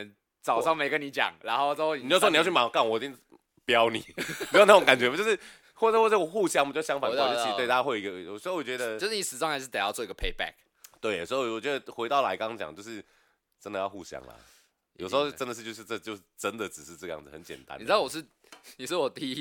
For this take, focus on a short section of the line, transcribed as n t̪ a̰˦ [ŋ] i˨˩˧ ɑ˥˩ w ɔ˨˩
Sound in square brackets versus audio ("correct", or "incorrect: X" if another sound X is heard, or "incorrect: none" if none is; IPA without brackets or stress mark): incorrect: n